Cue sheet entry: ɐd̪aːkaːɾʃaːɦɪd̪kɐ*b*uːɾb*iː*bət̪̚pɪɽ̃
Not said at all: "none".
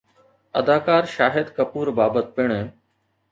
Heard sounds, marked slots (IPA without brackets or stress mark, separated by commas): p, aː